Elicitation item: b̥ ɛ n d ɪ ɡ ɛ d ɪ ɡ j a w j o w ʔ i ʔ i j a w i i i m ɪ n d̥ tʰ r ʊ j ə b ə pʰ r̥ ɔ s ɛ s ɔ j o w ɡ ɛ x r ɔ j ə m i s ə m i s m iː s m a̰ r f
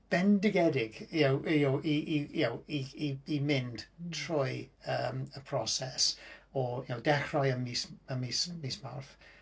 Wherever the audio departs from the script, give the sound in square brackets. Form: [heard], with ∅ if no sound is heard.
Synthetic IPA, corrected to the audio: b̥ ɛ n d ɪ ɡ ɛ d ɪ ɡ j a w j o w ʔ i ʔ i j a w i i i m ɪ n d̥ tʰ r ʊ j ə [m] ə pʰ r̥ ɔ s ɛ s ɔ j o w [d] ɛ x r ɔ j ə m i s ə m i s m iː s m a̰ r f

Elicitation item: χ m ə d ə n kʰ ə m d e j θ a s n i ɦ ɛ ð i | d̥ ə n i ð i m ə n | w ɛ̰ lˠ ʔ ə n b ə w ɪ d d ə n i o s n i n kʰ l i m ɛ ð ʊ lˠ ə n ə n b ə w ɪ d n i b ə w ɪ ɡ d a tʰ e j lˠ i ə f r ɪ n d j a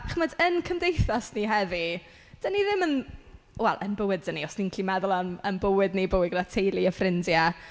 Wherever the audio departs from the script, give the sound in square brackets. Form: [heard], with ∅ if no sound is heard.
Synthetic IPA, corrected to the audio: χ m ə d ə n kʰ ə m d e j θ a s n i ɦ ɛ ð i | d̥ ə n i ð [ɪ] m ə n | w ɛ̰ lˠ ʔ ə n b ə w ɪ d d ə n i [ɔ] s n i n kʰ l i m ɛ ð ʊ lˠ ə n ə n b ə w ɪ d n i b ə w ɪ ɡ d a tʰ e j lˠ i ə f r ɪ n d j a

